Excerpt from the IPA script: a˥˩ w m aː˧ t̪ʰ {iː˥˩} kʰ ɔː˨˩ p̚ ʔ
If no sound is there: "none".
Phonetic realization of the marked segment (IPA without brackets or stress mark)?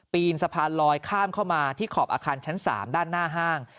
iː˥˩